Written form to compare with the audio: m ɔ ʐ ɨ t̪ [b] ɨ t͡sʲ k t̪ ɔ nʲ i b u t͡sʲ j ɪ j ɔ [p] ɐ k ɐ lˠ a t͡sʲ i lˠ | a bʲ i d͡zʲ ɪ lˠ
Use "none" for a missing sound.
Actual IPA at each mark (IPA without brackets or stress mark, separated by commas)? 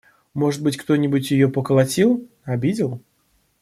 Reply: b, p